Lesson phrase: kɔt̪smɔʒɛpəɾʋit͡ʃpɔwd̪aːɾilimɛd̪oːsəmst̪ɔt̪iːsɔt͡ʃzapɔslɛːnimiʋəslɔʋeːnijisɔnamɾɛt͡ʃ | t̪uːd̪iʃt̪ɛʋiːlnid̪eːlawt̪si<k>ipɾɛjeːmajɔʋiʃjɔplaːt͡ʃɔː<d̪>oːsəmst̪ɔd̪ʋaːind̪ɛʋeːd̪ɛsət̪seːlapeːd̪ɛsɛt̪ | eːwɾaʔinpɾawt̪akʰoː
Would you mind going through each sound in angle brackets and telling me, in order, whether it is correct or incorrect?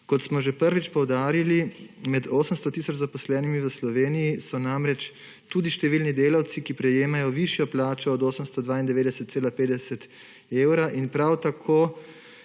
correct, correct

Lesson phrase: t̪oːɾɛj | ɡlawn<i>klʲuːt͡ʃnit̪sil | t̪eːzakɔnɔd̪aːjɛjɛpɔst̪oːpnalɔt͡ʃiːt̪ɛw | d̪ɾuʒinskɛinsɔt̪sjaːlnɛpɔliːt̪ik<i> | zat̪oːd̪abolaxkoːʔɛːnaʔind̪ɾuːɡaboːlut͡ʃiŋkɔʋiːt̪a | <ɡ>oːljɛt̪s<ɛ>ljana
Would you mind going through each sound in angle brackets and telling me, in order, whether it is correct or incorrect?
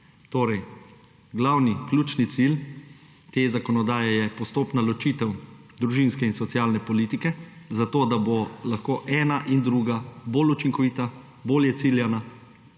correct, incorrect: ɛ, incorrect: b, incorrect: i

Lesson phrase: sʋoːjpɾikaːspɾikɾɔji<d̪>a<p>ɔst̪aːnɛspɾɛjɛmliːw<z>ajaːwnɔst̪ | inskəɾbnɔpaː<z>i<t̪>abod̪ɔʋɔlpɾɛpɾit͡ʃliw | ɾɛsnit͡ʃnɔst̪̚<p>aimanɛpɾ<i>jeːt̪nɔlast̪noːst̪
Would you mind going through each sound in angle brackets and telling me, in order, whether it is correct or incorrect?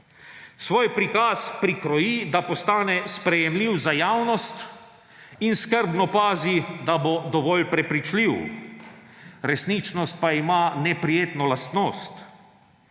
correct, correct, correct, correct, incorrect: d̪, correct, correct

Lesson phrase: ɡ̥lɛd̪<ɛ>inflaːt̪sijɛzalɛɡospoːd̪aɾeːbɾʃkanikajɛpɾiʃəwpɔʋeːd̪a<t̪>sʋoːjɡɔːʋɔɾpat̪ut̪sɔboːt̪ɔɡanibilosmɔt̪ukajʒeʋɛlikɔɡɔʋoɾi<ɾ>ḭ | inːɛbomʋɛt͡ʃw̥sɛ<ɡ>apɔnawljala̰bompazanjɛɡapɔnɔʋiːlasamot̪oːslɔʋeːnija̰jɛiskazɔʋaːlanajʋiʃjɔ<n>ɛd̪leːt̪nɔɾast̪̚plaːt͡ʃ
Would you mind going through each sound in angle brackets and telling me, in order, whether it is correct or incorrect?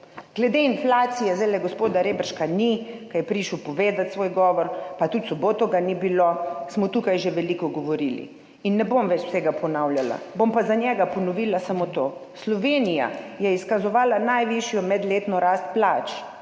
incorrect: e, correct, incorrect: l, correct, incorrect: m

